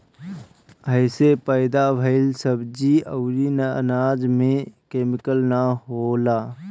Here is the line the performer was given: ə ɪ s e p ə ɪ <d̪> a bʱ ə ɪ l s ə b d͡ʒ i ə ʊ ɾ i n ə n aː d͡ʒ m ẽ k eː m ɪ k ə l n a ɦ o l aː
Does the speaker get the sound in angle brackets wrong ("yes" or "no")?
no